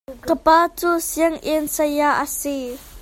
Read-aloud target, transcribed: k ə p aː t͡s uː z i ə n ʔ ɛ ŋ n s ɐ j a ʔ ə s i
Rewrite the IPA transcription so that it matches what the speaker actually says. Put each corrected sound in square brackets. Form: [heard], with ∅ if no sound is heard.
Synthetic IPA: k ə p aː t͡s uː [s] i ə [ŋ] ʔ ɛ [∅] n s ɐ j a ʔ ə s i